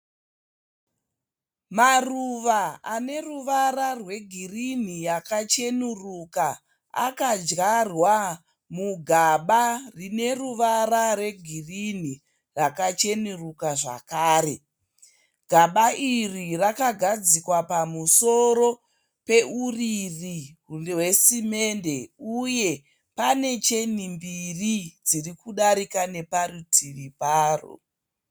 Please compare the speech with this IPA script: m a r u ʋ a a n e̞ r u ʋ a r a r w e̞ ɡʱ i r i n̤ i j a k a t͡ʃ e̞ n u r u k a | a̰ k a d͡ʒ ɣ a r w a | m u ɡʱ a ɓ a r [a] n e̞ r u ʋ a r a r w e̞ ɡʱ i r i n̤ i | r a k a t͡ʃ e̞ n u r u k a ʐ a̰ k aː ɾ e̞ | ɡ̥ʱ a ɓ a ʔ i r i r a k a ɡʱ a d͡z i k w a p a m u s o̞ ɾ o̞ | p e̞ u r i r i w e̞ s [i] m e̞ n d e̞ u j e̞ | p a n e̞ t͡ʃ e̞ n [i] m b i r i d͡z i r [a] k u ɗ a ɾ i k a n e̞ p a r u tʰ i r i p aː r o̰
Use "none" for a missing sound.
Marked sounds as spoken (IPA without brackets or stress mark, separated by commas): i, i, i, i